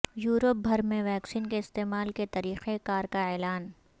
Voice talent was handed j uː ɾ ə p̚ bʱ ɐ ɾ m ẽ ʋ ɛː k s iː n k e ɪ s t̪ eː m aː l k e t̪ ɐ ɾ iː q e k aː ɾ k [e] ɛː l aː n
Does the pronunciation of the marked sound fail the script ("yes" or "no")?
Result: yes